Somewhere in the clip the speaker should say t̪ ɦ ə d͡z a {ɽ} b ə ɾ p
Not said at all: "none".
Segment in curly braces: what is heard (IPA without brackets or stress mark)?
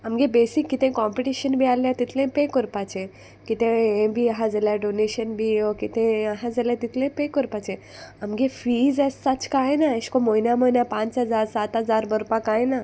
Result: ɾ